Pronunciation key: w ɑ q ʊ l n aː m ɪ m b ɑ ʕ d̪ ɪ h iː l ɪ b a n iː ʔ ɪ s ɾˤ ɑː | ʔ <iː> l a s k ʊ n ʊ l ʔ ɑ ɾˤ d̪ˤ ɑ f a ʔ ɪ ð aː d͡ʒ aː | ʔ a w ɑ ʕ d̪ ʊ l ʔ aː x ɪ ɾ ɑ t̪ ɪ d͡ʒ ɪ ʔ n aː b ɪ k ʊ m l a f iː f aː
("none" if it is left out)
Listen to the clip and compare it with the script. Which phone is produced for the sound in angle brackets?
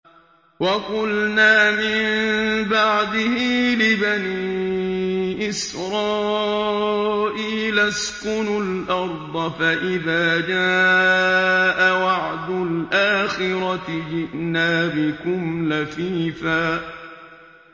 iː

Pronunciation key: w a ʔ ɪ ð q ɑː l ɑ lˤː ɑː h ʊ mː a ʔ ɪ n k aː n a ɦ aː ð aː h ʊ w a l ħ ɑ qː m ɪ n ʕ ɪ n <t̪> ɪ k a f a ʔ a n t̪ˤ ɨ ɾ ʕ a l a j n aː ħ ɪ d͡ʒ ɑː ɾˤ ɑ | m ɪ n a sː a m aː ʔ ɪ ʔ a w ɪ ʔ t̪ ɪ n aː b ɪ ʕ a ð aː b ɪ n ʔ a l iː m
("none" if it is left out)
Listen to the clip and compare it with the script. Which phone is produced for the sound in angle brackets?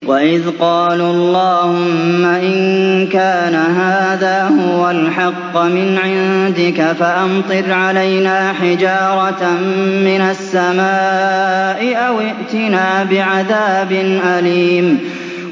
d̪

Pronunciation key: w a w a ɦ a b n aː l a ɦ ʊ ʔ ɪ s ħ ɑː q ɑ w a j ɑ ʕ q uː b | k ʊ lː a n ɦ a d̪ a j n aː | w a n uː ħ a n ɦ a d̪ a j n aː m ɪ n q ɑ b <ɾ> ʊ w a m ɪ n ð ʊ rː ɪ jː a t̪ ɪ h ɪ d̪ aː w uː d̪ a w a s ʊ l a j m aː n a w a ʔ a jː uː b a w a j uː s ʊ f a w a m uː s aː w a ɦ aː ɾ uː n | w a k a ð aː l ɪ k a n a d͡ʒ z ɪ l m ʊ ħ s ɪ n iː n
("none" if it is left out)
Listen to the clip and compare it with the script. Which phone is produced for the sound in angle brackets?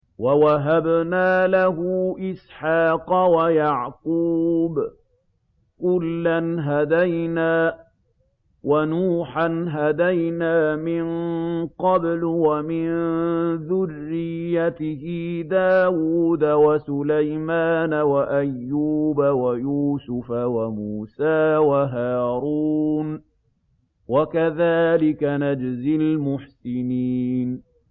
l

